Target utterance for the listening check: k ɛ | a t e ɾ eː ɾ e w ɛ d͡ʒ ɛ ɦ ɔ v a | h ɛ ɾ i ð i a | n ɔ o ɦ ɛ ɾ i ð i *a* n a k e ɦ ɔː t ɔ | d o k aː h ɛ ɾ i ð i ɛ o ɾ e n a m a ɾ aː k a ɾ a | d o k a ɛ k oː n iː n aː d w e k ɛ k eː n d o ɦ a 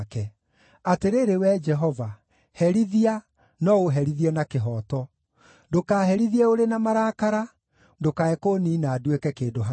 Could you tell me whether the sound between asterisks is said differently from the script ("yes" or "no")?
yes